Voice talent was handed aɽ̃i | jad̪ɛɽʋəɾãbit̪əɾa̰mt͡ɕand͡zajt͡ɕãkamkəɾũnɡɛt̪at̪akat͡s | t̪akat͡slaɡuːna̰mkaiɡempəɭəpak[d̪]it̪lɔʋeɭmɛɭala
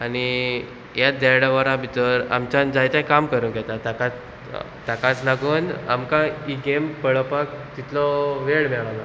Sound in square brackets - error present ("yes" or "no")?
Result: yes